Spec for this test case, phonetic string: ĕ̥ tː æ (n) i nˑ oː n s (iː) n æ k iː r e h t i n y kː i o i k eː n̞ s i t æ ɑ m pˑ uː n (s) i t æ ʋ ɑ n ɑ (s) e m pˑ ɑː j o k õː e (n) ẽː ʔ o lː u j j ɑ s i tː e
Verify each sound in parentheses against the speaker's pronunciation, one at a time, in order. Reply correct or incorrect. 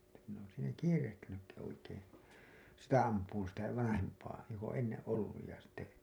incorrect: m, correct, correct, incorrect: h, incorrect: nː

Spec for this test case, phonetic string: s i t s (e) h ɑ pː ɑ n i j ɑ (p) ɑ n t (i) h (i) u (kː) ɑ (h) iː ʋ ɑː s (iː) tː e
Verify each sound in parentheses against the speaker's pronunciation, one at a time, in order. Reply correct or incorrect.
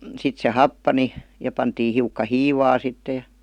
correct, correct, incorrect: iː, correct, correct, correct, incorrect: i

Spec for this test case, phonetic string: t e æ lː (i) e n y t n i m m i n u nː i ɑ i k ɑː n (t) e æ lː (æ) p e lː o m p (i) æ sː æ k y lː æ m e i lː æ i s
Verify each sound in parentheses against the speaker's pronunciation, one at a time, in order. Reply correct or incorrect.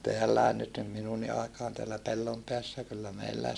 incorrect: æ, correct, correct, incorrect: e

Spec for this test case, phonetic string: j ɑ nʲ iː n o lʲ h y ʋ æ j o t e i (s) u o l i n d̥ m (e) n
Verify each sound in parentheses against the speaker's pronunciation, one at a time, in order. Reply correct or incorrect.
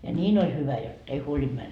incorrect: h, incorrect: æ

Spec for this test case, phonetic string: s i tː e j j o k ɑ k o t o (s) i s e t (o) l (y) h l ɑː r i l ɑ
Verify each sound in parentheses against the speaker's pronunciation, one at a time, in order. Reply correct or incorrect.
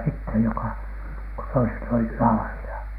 incorrect: none, correct, incorrect: i

